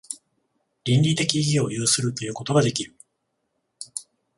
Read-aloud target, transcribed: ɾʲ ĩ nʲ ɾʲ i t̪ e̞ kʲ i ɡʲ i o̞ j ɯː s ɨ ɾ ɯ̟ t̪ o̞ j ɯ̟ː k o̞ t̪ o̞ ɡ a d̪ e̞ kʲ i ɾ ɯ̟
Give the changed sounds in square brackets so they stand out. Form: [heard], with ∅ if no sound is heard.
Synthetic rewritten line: ɾʲ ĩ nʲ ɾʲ i t̪ e̞ kʲ i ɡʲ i o̞ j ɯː s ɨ ɾ ɯ̟ t̪ o̞ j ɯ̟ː k o̞ t̪ o̞ ɡ a d̪ e̞ kʲ i ɾ ɯ̟

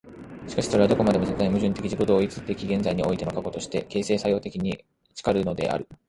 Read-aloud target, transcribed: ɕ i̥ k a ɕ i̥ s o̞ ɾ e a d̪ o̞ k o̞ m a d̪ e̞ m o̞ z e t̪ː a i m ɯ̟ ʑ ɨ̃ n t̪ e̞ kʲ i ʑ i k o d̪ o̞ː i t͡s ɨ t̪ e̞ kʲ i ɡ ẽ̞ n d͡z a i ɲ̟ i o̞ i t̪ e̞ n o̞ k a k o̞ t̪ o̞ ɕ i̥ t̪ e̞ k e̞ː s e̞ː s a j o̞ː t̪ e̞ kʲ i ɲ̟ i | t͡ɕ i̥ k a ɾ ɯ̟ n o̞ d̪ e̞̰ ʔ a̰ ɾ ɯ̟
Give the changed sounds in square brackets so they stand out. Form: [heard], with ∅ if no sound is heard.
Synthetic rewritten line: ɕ i̥ k a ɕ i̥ s o̞ ɾ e a d̪ o̞ k o̞ m a d̪ e̞ m o̞ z e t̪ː a i m ɯ̟ ʑ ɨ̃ n t̪ e̞ kʲ i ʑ i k o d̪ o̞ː i t͡s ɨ t̪ e̞ kʲ i ɡ ẽ̞ n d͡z a i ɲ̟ i o̞ i t̪ e̞ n o̞ k a k o̞ t̪ o̞ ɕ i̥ t̪ e̞ k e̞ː s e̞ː s a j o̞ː t̪ e̞ kʲ i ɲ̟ i | t͡ɕ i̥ k a ɾ ɯ̟ n o̞ d̪ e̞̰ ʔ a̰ ɾ ɯ̟

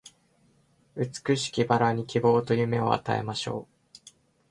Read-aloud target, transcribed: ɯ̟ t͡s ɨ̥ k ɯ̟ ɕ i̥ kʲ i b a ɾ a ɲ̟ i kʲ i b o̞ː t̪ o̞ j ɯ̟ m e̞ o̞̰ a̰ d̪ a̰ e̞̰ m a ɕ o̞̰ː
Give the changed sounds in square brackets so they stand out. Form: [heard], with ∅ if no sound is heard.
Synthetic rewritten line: ɯ̟ t͡s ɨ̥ k ɯ̟ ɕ i̥ kʲ i b a ɾ a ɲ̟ i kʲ i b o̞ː t̪ o̞ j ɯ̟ m e̞ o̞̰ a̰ [t̪] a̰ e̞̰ m a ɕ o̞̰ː

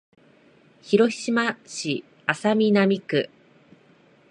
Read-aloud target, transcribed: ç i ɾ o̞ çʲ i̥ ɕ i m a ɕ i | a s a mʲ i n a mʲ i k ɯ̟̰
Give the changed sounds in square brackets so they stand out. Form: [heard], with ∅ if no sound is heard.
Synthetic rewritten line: ç i ɾ o̞ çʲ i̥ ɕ i m a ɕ i | a s a mʲ i n a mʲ i k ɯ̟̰

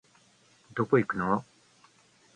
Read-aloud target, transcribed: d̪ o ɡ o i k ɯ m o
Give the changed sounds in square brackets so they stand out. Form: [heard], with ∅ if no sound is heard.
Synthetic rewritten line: d̪ o [k] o i k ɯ [n] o

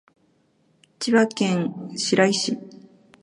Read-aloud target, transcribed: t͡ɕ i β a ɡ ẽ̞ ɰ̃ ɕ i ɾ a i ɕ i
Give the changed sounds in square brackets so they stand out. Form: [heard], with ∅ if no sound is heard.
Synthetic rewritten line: t͡ɕ i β a [k] ẽ̞ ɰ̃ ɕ i ɾ a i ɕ i

